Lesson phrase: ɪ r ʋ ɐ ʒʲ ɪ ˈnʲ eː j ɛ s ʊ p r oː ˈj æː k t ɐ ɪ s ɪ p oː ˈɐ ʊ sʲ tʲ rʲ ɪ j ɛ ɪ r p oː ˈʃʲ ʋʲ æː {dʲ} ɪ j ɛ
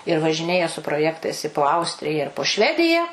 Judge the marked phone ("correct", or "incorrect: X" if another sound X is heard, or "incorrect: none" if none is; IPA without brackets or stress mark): correct